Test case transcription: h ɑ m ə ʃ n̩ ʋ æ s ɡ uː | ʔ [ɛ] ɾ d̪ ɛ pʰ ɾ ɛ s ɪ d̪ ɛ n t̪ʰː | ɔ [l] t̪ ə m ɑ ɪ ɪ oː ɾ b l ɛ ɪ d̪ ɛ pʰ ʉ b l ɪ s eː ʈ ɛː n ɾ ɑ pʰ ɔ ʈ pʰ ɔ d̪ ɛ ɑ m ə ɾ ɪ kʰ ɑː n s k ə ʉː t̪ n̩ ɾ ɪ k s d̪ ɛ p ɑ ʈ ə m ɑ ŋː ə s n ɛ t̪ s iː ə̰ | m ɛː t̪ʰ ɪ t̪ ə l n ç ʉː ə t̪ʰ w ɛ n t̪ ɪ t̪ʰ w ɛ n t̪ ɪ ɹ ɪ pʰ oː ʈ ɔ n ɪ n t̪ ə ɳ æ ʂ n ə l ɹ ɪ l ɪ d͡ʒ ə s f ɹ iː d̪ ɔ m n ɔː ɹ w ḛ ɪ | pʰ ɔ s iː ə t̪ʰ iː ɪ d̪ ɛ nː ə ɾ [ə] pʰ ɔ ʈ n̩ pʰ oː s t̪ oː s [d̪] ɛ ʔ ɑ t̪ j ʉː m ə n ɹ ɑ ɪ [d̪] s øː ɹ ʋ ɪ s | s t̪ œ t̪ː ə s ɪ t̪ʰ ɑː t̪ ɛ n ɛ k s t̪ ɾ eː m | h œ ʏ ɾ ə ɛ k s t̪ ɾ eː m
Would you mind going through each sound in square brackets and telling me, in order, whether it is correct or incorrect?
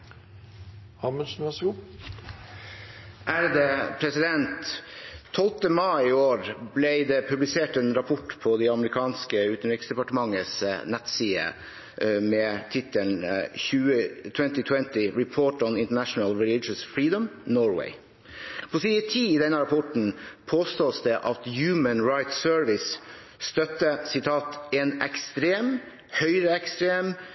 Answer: incorrect: æ, correct, incorrect: ɑ, correct, incorrect: t̪

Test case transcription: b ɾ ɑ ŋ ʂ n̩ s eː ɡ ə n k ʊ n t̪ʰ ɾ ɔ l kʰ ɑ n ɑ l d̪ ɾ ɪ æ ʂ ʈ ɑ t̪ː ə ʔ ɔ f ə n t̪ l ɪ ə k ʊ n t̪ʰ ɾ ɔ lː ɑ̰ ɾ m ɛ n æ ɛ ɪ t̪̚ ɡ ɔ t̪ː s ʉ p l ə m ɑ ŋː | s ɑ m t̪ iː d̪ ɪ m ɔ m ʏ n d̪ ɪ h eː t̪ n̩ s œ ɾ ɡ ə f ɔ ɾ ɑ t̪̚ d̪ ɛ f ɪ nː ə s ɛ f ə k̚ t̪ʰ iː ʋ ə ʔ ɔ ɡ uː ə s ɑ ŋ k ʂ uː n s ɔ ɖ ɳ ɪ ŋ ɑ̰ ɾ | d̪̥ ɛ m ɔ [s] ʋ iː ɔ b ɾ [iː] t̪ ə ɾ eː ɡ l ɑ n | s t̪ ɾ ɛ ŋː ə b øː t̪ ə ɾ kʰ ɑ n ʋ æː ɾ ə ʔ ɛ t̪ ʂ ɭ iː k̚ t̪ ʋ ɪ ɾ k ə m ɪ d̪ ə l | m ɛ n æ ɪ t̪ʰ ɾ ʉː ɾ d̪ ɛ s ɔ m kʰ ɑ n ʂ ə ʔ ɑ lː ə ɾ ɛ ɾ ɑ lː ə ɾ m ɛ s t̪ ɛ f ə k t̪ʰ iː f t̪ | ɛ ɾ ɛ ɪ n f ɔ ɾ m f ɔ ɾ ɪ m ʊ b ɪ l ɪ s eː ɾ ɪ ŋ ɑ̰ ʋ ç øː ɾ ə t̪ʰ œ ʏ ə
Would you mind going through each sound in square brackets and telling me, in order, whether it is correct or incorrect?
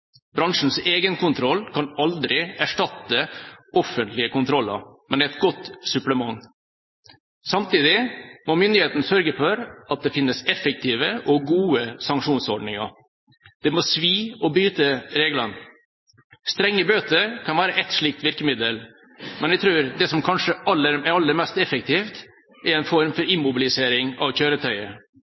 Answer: correct, incorrect: yː

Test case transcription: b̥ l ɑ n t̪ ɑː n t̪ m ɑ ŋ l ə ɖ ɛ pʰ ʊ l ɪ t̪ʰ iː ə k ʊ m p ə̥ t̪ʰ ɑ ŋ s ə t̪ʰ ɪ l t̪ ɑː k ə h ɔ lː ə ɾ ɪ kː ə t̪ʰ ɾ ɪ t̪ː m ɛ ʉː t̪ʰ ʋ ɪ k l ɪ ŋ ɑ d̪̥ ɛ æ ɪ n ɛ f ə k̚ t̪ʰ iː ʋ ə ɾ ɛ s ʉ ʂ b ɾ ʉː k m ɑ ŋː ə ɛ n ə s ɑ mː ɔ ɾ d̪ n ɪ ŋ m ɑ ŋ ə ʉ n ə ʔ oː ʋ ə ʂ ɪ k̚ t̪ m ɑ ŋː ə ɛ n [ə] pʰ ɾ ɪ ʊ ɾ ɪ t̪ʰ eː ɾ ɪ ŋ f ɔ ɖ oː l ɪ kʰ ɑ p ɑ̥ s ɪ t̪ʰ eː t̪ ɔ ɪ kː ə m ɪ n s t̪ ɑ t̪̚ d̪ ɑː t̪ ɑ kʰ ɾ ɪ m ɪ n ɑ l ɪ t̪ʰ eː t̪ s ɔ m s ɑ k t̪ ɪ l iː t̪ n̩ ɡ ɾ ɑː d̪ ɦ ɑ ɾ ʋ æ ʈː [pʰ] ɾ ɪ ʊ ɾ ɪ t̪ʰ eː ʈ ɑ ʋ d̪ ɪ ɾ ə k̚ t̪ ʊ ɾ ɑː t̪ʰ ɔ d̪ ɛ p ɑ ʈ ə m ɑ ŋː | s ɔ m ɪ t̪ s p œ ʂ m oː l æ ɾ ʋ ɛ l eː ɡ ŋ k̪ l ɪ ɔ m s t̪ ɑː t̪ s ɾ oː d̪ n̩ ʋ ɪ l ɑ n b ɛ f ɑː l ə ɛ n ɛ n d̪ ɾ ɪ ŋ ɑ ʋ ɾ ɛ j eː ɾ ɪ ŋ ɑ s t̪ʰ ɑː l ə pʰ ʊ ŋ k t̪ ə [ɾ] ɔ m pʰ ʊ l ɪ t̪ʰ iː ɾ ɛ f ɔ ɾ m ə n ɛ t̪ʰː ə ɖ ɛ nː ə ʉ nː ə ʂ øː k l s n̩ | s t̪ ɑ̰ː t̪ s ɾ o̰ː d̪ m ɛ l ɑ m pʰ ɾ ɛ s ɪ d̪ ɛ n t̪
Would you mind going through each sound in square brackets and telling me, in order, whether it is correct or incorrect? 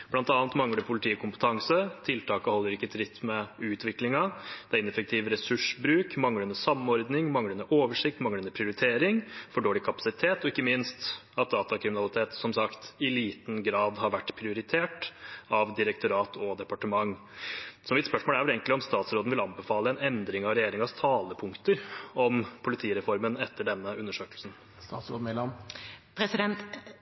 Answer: correct, correct, correct

